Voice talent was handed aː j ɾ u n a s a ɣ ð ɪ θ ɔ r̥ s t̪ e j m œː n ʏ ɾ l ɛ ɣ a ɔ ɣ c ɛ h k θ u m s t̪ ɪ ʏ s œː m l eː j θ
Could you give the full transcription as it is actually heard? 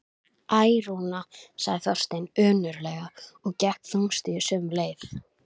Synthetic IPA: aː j ɾ u n a s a ɣ ð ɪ θ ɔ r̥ s t̪ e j n œː n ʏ ɾ l ɛ ɣ a ɔ ɣ c ɛ h k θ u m s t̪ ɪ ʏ s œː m l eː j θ